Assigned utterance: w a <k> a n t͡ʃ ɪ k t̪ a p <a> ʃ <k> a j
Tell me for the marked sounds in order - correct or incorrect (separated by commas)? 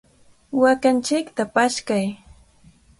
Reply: correct, correct, correct